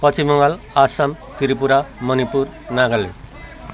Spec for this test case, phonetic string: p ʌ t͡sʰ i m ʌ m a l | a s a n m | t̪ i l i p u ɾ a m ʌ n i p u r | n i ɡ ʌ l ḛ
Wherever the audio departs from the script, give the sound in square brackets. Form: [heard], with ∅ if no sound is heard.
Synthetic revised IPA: p ʌ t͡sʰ i m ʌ [ŋ] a l | a s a [∅] m | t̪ i [ɾ] i p u ɾ a m ʌ n i p u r | n [a] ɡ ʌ l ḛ